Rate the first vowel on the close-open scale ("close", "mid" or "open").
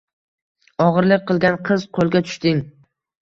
open